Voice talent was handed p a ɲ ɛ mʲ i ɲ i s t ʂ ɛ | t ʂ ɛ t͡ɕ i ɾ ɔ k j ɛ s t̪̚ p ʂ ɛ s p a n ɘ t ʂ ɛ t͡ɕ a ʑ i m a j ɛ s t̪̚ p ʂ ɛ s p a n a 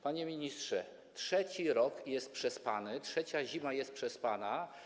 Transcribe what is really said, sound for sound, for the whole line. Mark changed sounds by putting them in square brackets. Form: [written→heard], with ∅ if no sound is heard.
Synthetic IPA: p a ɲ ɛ mʲ i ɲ i s t ʂ ɛ | t ʂ ɛ t͡ɕ i ɾ ɔ k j ɛ s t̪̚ p ʂ ɛ s p a n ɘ t ʂ ɛ t͡ɕ a ʑ i m a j ɛ s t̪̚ p ʂ ɛ s p a n a